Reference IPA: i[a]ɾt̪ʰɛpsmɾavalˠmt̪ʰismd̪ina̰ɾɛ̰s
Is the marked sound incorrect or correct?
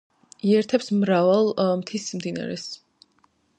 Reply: incorrect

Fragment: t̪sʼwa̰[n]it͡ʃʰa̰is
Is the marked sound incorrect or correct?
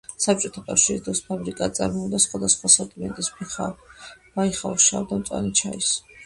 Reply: correct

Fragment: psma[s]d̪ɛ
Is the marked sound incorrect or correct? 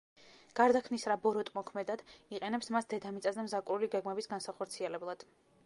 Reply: correct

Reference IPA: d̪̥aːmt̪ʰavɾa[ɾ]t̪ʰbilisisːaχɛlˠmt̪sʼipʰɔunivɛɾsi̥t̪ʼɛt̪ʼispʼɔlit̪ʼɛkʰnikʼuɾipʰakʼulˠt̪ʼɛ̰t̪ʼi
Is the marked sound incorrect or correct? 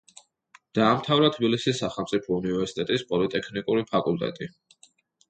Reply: incorrect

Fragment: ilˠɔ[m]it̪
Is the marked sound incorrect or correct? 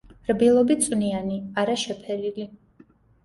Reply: incorrect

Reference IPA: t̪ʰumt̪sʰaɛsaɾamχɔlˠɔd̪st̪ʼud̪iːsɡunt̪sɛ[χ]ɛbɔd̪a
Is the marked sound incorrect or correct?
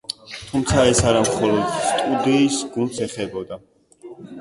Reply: correct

